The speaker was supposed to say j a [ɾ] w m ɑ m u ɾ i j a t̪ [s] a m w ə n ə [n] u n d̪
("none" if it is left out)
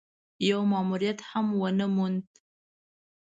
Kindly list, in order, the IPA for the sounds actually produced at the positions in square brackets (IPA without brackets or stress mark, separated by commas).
none, h, m